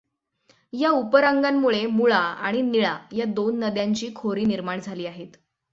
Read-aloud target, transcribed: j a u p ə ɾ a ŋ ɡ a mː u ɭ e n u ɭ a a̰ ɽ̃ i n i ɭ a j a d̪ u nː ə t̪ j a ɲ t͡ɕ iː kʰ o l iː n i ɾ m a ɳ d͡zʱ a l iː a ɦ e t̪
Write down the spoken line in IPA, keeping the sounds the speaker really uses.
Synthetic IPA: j a u p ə ɾ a ŋ ɡ a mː u ɭ e m u ɭ a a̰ ɽ̃ i n i ɭ a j a d̪ o nː ə d̪ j a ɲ t͡ɕ iː kʰ o ɾ iː n i ɾ m a ɳ d͡zʱ a l iː a ɦ e t̪